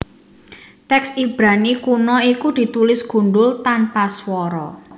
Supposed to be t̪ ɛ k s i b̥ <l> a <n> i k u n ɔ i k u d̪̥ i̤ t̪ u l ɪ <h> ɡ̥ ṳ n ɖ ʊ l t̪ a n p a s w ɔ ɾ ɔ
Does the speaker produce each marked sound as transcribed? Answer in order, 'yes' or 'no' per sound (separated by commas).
no, yes, no